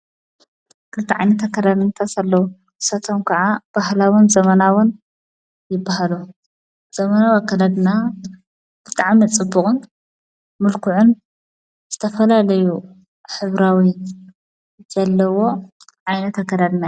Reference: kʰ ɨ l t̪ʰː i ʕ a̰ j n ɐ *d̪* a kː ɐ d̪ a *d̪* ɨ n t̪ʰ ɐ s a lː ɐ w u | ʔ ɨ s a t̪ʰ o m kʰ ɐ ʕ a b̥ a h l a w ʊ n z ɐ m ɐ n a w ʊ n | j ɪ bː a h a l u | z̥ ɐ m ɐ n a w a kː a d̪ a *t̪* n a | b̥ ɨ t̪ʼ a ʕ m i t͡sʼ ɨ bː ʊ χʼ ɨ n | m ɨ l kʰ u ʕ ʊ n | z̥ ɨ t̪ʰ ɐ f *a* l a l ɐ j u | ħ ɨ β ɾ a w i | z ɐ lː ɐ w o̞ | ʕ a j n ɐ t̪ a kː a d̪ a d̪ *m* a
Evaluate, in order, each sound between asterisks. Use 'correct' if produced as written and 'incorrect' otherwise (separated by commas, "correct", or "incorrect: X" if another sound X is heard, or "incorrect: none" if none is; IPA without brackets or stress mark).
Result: incorrect: t̪, correct, incorrect: d̪, incorrect: ɐ, incorrect: n